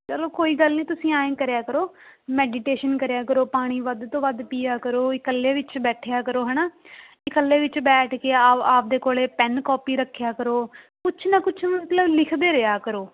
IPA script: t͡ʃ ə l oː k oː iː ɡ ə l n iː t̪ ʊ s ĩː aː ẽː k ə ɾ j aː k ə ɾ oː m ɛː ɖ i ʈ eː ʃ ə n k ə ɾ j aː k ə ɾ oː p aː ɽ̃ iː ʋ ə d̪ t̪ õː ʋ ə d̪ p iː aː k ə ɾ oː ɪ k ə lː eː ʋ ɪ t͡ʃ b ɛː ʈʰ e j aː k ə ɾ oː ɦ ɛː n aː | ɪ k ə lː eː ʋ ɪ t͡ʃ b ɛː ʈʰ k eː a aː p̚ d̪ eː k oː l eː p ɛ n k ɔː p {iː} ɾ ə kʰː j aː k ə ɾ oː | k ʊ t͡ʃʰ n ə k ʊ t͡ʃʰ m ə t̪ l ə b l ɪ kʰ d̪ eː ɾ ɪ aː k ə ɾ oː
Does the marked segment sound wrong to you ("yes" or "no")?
no